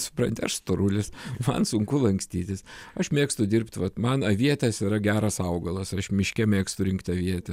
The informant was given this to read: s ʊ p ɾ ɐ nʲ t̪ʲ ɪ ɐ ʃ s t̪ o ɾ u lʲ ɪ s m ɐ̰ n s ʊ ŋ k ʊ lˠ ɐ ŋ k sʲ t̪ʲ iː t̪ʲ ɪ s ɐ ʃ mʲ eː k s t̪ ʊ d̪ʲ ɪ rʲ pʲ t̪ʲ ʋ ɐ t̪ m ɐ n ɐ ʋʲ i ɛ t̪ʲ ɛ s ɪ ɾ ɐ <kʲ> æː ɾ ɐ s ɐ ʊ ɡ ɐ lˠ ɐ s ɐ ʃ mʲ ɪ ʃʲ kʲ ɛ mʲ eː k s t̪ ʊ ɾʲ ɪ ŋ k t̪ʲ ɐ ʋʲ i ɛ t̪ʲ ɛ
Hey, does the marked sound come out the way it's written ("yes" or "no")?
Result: no